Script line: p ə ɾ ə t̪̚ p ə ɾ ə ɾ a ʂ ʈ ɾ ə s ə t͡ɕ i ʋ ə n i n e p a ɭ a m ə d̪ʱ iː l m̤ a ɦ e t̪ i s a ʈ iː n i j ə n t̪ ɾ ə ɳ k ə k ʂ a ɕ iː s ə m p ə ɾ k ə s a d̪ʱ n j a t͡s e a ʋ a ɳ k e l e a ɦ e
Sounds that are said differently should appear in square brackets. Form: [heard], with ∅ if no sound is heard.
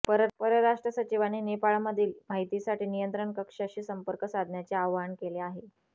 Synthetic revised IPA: p ə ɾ ə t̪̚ p ə ɾ ə ɾ a ʂ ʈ ɾ ə s ə t͡ɕ i ʋ [a] n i n e p a ɭ a m ə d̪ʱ iː l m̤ a ɦ [i] t̪ i s a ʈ iː n i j ə n t̪ ɾ ə ɳ k ə k ʂ a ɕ iː s ə m p ə ɾ k ə s a d̪ʱ n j a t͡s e a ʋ a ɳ k e l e a ɦ e